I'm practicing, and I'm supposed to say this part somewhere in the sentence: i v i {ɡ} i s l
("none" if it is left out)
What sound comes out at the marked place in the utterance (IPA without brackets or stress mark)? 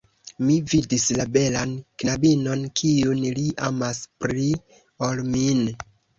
d